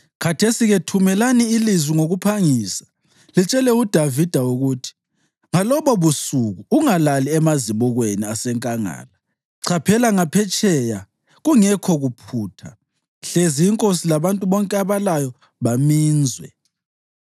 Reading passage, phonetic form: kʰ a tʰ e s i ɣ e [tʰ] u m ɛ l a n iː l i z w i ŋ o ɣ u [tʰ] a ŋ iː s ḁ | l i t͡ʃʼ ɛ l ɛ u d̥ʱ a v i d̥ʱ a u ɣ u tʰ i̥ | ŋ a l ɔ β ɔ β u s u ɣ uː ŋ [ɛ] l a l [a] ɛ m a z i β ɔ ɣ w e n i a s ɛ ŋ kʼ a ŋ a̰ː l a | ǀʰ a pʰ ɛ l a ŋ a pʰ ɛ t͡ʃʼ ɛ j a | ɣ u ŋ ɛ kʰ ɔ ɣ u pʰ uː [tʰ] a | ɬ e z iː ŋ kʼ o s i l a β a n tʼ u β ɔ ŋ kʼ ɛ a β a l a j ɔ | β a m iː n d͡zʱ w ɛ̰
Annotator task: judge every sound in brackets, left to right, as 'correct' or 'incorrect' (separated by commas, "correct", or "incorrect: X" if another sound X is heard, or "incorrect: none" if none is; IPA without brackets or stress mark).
correct, incorrect: pʰ, incorrect: a, incorrect: i, correct